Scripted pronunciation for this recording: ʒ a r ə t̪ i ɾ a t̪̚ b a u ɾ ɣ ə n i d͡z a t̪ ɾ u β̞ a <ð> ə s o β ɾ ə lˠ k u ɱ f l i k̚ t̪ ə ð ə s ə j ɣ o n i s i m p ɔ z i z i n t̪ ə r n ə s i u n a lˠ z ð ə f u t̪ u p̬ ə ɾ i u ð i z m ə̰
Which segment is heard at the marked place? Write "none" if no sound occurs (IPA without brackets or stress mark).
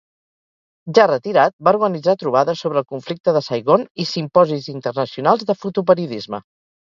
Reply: ð